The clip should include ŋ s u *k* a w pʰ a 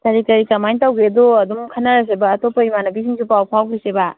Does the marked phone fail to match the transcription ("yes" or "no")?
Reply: yes